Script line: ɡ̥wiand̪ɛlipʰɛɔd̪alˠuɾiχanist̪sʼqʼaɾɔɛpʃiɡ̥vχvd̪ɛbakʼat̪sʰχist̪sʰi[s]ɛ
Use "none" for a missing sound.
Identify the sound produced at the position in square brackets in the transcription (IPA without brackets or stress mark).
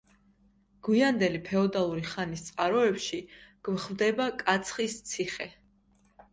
χ